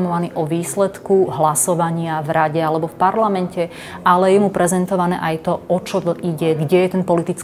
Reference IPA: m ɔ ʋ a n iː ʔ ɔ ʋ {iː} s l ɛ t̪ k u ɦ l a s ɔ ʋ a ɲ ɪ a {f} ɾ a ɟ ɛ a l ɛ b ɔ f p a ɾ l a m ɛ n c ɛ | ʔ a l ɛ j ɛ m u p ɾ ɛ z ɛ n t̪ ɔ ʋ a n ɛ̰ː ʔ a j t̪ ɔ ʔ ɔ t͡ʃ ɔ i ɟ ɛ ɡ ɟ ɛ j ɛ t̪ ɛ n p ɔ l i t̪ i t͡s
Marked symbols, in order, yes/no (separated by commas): yes, no